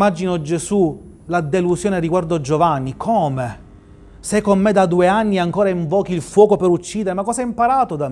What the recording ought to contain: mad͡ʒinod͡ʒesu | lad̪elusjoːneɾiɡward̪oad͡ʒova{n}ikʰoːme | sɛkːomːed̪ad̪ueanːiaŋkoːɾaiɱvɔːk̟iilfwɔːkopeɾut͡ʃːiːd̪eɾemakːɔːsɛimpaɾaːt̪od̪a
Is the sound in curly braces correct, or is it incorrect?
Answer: incorrect